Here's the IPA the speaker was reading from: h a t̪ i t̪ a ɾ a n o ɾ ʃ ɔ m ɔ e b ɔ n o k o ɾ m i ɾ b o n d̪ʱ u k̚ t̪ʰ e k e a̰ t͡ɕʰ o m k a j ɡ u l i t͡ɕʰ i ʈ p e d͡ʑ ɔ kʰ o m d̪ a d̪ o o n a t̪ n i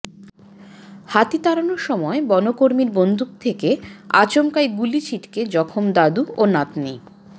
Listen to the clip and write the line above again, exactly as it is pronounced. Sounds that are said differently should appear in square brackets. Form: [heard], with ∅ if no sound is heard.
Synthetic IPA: h a t̪ i t̪ a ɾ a n o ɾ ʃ ɔ m ɔ e b ɔ n o k o ɾ m i ɾ b o n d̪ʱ u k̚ t̪ʰ e k e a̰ [t͡ɕ] o m k a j ɡ u l i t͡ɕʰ i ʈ [k] e d͡ʑ ɔ kʰ o m d̪ a d̪ [u] o n a t̪ n i